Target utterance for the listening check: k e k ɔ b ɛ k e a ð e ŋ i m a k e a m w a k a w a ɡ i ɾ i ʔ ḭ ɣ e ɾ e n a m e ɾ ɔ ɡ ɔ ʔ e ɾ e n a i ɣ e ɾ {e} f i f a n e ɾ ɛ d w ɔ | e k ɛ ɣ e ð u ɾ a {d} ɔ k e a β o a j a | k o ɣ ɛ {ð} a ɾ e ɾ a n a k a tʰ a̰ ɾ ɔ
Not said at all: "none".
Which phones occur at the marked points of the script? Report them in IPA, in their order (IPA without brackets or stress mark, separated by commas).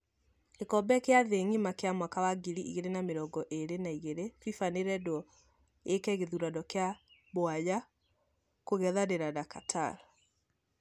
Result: e, d, ð